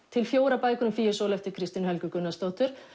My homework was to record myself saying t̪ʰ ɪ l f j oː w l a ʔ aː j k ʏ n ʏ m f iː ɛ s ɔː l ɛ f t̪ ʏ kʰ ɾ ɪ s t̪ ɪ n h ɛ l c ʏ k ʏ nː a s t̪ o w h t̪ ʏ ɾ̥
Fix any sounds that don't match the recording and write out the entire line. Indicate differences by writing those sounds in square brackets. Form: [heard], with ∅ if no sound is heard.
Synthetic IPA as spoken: t̪ʰ ɪ l f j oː w [ɾ] a [p] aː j k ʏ n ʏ m f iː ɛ s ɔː l ɛ f t̪ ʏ kʰ ɾ ɪ s t̪ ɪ n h ɛ l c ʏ k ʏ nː a s t̪ o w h t̪ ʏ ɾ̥